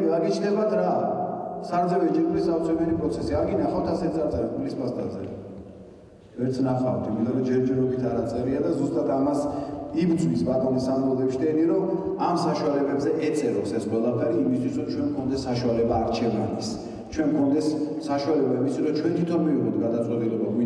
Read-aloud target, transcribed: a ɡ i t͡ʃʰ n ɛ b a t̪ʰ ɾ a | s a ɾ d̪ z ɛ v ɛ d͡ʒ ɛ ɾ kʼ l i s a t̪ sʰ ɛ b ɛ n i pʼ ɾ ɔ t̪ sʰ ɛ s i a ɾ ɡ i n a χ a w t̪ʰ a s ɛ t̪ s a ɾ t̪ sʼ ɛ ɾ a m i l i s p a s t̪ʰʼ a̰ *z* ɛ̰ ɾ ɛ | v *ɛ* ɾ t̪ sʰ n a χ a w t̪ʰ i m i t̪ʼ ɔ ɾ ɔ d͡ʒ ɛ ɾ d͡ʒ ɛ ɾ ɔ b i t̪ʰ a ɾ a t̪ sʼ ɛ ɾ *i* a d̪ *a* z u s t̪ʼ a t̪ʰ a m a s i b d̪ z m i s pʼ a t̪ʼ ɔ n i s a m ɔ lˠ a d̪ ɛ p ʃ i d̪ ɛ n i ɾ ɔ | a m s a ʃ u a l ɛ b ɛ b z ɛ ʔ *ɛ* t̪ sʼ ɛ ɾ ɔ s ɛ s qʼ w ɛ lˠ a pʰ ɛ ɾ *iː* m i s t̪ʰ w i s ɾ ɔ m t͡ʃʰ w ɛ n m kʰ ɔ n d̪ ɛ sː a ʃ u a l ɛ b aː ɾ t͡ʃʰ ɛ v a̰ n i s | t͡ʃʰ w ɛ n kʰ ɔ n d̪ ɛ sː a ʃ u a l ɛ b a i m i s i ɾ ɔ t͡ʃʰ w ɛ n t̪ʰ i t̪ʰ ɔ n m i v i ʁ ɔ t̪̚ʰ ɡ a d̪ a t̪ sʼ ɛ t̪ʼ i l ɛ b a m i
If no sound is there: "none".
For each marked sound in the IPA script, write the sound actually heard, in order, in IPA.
z, ɛ, i, a, ɛ, iː

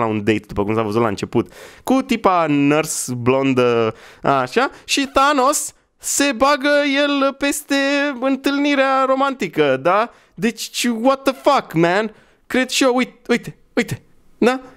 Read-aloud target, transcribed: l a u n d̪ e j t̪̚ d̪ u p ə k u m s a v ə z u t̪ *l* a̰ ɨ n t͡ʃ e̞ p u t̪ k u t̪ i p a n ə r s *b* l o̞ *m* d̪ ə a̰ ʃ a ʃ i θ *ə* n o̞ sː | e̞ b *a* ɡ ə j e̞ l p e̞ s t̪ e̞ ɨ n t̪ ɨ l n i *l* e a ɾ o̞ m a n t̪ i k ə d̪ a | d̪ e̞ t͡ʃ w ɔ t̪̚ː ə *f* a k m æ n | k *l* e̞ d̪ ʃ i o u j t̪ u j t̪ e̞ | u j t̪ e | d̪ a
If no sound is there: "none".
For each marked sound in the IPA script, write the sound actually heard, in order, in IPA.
l, b, n, a, a, ɾ, f, ɾ

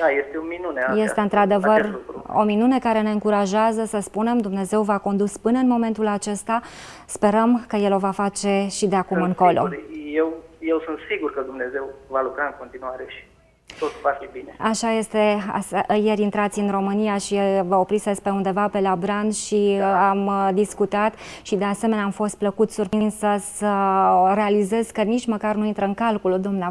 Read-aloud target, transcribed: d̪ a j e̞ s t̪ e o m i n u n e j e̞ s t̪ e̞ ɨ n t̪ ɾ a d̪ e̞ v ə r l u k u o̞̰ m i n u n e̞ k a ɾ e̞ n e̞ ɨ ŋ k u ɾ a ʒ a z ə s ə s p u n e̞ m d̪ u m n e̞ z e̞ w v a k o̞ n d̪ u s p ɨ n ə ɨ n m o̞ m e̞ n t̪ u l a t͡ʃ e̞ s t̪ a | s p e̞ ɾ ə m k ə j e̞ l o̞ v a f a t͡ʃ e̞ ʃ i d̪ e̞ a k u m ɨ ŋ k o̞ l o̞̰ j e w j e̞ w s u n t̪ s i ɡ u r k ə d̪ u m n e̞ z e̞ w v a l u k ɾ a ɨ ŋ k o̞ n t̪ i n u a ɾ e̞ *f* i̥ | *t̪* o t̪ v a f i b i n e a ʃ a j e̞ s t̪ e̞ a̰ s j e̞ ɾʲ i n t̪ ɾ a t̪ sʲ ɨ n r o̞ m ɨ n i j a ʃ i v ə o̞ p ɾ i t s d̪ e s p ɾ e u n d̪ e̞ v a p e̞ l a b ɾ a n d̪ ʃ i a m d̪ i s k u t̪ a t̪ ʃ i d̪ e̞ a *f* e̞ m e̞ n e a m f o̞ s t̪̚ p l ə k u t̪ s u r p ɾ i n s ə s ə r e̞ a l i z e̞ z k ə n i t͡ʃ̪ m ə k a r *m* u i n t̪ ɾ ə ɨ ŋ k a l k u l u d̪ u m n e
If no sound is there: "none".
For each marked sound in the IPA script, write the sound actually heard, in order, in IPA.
ʃ, t̪, s, n

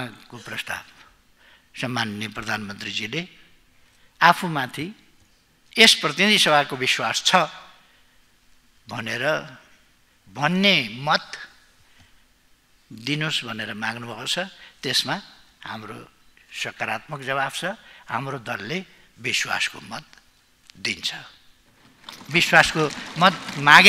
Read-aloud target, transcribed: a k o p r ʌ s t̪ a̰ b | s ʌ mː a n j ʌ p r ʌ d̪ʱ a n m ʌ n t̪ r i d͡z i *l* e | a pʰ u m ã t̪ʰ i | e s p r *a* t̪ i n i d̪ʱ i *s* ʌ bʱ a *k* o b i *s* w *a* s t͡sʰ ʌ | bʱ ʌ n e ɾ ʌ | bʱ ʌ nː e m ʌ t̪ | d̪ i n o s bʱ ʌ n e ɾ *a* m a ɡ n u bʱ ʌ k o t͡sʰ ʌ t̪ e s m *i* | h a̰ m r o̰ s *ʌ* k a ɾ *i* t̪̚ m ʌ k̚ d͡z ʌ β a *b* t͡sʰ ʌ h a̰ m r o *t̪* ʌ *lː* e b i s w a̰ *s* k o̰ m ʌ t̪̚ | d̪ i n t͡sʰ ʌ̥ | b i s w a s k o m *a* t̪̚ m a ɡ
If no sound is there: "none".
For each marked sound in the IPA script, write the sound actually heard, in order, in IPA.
l, ʌ, s, k, s, a, ʌ, a, ʌ, a, b, d̪, lː, s, ʌ

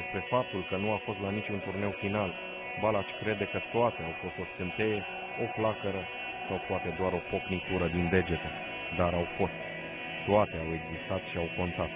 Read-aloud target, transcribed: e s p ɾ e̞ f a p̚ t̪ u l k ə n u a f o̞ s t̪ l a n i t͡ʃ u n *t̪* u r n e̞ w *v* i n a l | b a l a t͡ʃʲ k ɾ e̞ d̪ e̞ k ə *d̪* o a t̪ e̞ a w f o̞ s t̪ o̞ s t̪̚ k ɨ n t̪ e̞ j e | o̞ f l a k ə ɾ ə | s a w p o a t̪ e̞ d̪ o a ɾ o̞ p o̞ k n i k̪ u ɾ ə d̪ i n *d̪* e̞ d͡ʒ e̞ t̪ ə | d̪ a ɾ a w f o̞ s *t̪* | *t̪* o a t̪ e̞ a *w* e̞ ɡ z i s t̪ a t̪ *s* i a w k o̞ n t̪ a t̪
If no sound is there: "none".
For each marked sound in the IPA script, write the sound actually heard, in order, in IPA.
t̪, f, t̪, d̪, t̪, t̪, w, ʃ

